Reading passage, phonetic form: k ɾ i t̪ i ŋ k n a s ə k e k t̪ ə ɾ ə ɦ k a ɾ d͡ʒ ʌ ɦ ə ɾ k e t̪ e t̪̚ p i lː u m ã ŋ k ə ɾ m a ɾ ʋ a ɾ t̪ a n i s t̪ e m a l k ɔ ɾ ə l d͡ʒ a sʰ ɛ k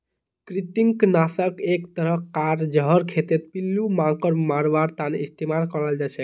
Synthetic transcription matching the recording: k ɾ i t̪ i ŋ k n a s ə k e k t̪ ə ɾ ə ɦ k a ɾ d͡ʒ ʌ ɦ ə ɾ kʰ e t̪ e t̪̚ p i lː u m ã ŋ k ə ɾ m a ɾ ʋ a ɾ t̪ a n i s t̪ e m a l k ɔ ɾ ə l d͡ʒ a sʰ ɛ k

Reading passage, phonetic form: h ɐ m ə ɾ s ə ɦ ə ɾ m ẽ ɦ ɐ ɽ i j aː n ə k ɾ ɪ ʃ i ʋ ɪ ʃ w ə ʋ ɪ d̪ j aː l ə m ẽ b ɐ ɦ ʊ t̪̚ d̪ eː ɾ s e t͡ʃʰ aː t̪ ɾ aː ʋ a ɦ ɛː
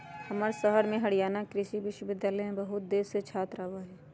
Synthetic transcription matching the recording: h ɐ m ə ɾ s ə ɦ ə ɾ m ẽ ɦ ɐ ɽ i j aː n a k ɾ ɪ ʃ i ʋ ɪ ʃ w ə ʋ ɪ d̪ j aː l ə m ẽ b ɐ ɦ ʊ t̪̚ d̪ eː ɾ s e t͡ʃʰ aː t̪ ɾ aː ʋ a ɦ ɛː

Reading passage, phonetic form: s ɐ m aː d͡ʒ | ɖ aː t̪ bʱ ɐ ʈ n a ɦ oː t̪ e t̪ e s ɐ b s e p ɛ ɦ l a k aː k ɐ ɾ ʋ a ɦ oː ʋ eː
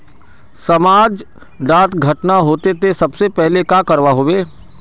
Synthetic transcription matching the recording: s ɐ m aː d͡ʒ | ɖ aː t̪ ɡʱ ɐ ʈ n a ɦ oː t̪ e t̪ e s ɐ b s e p ɛ ɦ l e k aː k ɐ ɾ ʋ a ɦ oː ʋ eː

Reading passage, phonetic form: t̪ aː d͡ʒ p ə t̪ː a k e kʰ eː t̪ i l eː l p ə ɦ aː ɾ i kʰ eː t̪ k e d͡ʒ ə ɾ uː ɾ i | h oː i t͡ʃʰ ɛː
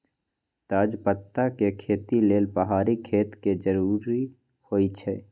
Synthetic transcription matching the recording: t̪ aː d͡ʒ p ə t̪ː a k e kʰ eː t̪ i l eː l p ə ɦ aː ɾ i kʰ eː t̪ k e d͡ʒ ə ɾ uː ɾ i | h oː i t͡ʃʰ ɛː

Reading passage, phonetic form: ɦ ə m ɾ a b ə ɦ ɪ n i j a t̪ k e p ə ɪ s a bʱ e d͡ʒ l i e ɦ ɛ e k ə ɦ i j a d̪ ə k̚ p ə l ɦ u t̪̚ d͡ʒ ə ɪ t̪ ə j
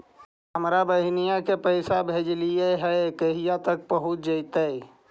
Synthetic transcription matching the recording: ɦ ə m ɾ a b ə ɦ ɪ n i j a k e p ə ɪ s a bʱ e d͡ʒ l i e ɦ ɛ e k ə ɦ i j a t̪ ə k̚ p ə ɦ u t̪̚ d͡ʒ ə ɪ t̪ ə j

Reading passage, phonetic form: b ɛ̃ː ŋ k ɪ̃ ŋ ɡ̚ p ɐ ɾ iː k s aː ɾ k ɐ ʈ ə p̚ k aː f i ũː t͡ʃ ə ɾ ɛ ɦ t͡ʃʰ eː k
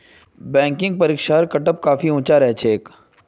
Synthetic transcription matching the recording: b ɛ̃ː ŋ k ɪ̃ ŋ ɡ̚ p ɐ ɾ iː k ʃ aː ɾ k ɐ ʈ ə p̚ k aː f i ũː t͡ʃ a ɾ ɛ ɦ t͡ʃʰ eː k

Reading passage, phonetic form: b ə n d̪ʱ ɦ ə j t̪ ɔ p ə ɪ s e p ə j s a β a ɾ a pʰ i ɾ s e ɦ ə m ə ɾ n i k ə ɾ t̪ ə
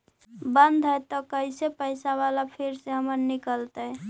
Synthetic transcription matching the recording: b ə n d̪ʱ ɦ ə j t̪ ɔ k ə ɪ s e p ə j s a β a l a pʰ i ɾ s e ɦ ə m ə ɾ n i k ə l t̪ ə

